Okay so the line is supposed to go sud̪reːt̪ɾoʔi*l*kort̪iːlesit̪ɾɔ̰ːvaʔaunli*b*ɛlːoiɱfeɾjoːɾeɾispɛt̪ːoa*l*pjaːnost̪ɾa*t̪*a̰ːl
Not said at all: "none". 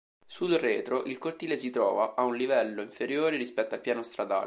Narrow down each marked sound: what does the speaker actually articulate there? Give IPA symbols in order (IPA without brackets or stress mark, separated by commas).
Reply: l, v, l, d̪